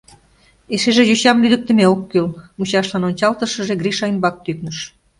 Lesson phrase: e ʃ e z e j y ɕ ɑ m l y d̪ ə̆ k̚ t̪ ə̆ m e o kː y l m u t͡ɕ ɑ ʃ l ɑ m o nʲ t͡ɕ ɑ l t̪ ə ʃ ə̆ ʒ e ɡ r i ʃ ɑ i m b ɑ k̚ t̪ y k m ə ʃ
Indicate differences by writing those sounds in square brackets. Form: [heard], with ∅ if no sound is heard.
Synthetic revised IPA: e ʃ e [ʒ] e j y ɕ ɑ m l y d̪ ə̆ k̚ t̪ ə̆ m e o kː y l m u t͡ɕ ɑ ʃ l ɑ [n] o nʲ t͡ɕ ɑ l t̪ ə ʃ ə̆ ʒ e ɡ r i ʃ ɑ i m b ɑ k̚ t̪ y k [n] ə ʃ